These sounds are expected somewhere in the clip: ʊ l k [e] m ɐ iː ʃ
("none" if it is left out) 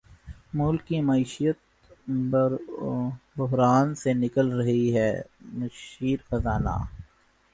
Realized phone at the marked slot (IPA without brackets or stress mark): i